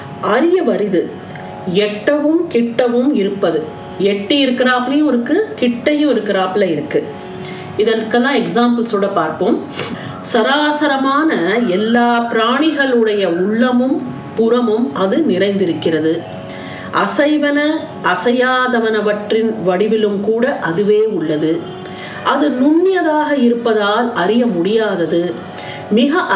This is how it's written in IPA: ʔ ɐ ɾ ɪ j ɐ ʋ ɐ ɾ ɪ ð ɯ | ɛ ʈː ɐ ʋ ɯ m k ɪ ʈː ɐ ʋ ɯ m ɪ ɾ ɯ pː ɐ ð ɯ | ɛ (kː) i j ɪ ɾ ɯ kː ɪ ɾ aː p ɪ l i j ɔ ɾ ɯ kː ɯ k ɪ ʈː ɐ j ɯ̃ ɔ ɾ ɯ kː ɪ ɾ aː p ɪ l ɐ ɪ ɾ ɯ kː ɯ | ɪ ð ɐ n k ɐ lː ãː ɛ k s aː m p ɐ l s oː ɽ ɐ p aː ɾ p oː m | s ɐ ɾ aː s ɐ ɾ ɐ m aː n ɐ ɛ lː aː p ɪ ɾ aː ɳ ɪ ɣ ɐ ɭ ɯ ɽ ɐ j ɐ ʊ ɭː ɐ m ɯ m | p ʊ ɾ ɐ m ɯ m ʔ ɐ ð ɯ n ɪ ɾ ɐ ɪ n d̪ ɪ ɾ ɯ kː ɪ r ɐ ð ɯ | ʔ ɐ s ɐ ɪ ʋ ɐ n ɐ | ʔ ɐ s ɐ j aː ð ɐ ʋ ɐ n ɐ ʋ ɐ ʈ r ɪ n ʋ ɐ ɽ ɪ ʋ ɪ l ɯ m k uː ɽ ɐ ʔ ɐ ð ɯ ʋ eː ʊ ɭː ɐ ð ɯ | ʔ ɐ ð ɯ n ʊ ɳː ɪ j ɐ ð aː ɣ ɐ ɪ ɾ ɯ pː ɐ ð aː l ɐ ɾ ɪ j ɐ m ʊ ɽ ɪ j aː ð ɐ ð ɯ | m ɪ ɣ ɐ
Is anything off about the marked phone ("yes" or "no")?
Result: yes